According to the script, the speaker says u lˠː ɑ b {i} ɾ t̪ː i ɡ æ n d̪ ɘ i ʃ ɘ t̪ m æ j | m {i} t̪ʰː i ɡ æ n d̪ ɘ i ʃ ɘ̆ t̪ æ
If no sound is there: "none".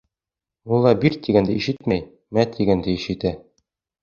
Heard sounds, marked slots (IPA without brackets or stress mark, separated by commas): i, æ